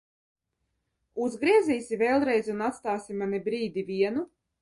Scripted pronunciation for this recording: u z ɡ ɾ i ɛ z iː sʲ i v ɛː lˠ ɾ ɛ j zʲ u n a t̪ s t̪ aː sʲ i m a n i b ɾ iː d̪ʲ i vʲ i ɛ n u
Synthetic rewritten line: u z ɡ ɾ i ɛ z iː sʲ i v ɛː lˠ ɾ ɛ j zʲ u n a t̪ s t̪ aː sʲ i m a n i b ɾ iː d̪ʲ i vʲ i ɛ n u